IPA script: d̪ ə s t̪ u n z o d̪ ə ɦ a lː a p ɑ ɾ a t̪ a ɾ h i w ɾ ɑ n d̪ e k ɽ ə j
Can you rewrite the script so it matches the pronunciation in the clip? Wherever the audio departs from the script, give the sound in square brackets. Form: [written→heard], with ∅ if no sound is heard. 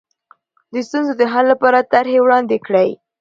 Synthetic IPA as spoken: d̪ ə s t̪ u n z o d̪ ə ɦ a lː a p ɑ ɾ a t̪ a ɾ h [i→e] w [ɾ→ɽ] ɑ n d̪ e k ɽ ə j